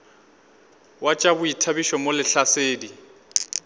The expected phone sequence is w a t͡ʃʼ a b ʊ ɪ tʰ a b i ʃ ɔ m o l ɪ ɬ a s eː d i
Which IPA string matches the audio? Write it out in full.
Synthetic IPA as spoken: w a t͡ʃʼ a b ʊ i tʰ a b i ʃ ɔ m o l ɪ ɬ a s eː d i